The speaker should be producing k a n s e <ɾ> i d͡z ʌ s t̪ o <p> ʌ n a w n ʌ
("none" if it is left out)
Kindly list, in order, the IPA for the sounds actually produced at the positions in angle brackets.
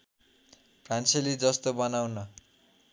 l, b

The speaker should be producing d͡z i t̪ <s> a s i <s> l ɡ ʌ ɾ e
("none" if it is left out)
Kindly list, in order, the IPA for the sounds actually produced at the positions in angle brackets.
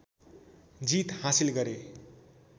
h, none

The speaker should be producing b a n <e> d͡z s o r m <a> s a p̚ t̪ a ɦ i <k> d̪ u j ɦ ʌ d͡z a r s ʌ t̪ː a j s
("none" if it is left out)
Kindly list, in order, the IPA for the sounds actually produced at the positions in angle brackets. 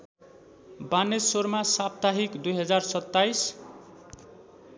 e, a, k

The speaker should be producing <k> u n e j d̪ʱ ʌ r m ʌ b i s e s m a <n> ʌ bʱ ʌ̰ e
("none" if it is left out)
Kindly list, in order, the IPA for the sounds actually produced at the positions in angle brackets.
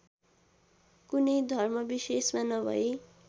k, n

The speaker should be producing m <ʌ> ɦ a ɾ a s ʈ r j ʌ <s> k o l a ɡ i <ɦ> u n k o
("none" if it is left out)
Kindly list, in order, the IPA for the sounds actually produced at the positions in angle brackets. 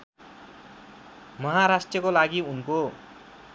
ʌ, none, none

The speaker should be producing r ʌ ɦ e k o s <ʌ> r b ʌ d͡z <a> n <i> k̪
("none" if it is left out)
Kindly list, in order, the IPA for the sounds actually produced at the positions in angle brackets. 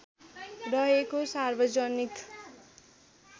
a, ʌ, i

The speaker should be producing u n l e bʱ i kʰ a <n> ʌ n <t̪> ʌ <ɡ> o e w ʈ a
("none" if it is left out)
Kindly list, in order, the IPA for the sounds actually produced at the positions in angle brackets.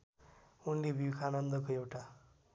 n, d̪, k

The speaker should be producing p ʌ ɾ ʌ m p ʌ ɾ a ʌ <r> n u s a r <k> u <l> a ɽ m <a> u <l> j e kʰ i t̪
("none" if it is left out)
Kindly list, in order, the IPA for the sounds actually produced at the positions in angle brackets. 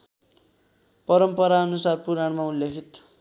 none, p, ɾ, a, l

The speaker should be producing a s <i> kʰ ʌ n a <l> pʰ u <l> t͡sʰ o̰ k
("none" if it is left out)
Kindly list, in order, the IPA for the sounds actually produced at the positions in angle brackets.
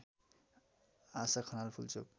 a, l, l

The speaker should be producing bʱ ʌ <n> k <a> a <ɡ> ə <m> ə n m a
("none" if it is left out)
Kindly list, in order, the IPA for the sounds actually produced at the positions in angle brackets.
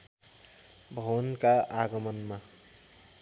n, a, ɡ, m

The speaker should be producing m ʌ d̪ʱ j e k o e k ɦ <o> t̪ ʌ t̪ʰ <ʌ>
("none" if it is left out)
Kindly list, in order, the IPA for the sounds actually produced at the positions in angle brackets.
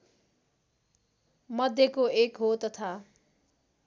o, a

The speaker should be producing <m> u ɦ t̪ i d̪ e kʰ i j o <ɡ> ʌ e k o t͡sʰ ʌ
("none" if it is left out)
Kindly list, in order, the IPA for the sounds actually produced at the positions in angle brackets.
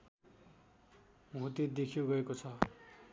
m, ɡ

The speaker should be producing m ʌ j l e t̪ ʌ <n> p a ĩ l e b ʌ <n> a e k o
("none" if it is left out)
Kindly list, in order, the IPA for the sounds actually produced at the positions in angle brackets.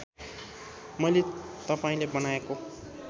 none, n

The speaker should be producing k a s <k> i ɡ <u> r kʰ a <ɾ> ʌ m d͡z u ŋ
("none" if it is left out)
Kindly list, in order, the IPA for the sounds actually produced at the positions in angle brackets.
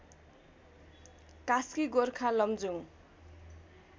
k, o, l

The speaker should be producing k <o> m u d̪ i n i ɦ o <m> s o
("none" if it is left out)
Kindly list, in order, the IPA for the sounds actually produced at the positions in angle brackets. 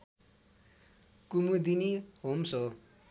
u, m

